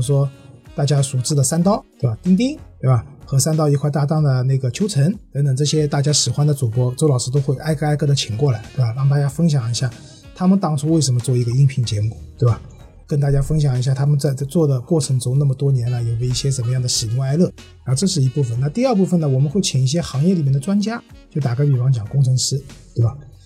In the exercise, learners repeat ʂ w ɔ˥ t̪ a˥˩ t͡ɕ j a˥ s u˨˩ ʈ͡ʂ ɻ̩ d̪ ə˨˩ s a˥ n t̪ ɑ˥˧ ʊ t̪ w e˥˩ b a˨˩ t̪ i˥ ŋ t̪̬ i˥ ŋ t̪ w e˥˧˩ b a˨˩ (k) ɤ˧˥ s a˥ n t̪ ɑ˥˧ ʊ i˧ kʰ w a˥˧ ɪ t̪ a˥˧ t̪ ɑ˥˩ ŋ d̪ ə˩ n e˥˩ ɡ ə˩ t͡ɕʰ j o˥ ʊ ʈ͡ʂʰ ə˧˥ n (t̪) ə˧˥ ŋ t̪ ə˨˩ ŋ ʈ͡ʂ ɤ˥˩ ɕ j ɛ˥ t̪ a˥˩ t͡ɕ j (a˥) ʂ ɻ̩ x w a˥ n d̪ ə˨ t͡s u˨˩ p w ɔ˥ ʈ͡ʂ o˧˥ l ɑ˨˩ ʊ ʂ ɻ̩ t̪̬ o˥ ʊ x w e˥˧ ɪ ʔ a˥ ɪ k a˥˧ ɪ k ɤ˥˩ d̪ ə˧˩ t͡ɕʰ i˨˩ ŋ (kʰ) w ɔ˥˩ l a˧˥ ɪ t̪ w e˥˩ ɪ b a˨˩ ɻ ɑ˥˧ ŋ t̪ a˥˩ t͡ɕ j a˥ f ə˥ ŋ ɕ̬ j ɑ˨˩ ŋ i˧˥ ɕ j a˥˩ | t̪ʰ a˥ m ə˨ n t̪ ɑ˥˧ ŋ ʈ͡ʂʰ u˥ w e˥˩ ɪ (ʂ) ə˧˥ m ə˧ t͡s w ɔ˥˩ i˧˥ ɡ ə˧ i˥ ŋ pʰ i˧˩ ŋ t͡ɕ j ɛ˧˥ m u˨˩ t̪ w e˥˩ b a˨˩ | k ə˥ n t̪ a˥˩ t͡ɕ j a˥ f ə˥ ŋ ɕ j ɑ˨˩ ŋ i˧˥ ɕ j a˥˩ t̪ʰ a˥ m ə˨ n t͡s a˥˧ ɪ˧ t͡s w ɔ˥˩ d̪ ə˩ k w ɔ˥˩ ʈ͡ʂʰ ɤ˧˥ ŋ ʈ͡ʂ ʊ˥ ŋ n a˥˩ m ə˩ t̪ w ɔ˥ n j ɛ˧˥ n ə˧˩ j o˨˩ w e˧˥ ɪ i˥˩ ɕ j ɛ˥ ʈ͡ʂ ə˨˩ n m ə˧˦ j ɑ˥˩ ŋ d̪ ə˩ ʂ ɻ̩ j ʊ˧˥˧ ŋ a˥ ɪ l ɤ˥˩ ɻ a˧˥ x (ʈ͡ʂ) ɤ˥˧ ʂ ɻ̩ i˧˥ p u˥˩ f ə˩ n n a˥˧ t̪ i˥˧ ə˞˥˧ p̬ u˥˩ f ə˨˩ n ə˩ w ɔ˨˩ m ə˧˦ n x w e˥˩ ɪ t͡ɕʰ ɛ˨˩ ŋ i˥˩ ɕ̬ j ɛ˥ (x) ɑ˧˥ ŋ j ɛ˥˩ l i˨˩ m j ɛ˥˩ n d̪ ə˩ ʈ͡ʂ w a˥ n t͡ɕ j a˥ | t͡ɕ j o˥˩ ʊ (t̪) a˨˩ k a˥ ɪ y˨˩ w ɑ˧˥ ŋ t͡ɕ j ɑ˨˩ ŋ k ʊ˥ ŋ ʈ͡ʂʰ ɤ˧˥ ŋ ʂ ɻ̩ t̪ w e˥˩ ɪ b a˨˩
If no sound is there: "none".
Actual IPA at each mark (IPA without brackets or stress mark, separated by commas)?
x, t̪, a˥, k, ʂ, ʈ͡ʂ, x, t̪